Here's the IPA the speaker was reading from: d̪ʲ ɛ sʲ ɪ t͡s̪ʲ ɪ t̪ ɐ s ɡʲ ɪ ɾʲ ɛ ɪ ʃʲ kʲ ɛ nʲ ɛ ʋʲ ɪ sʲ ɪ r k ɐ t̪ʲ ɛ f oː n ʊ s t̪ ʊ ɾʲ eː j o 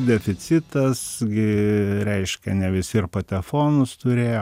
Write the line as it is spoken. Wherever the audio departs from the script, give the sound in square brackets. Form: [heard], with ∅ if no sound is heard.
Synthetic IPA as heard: d̪ʲ ɛ [fʲ] ɪ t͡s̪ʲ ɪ t̪ ɐ s ɡʲ ɪ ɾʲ ɛ ɪ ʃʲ kʲ ɛ nʲ ɛ ʋʲ ɪ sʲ ɪ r [p] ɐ t̪ʲ ɛ f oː n ʊ s t̪ ʊ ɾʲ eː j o